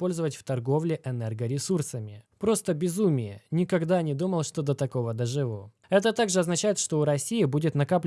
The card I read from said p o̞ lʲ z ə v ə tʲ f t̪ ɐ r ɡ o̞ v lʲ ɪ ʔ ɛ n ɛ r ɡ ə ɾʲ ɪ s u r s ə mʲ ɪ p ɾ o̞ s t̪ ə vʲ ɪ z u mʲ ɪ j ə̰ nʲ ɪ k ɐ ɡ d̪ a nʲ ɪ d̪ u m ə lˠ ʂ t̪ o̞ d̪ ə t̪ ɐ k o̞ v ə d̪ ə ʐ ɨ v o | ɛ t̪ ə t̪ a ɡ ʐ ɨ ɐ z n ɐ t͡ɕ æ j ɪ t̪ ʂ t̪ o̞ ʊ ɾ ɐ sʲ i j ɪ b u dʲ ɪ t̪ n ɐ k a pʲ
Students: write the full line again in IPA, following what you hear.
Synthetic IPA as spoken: p o̞ lʲ z ə v ə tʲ f t̪ ɐ r ɡ o̞ v lʲ ɪ ʔ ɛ n ɛ r ɡ ə ɾʲ ɪ s u r s ə mʲ ɪ p ɾ o̞ s t̪ ə bʲ ɪ z u mʲ ɪ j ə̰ nʲ ɪ k ɐ ɡ d̪ a nʲ ɪ d̪ u m ə lˠ ʂ t̪ o̞ d̪ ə t̪ ɐ k o̞ v ə d̪ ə ʐ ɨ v o | ɛ t̪ ə t̪ a ɡ ʐ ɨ ɐ z n ɐ t͡ɕ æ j ɪ t̪ ʂ t̪ o̞ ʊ ɾ ɐ sʲ i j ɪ b u dʲ ɪ t̪ n ɐ k a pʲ